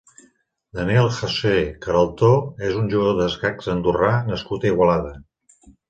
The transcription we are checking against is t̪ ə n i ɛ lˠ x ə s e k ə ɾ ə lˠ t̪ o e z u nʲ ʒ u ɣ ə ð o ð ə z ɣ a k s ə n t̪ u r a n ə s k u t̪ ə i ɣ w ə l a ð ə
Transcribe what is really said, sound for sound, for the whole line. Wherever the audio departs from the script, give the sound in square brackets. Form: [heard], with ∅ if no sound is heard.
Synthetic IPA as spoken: [d̪] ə n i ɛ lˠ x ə s e k ə ɾ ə lˠ t̪ o e z u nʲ ʒ u ɣ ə ð o ð ə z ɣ a k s ə n [d̪] u r a n ə s k u t̪ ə i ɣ w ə l a ð ə